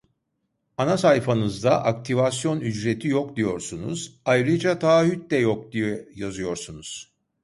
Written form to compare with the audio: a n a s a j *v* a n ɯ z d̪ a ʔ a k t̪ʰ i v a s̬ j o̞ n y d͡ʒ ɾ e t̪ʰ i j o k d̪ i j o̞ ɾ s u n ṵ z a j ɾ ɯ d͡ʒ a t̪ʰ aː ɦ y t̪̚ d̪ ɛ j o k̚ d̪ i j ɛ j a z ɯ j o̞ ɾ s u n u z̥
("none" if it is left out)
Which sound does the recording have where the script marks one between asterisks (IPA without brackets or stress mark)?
f